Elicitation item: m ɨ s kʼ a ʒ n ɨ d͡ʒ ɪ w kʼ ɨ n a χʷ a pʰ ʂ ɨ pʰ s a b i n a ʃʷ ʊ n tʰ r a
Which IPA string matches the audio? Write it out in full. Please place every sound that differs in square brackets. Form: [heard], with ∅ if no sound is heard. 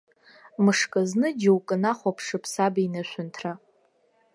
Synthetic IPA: m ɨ [ʂ] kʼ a [z] n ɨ d͡ʒ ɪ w kʼ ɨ n a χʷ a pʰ ʂ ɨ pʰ s a b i n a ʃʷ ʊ n tʰ r a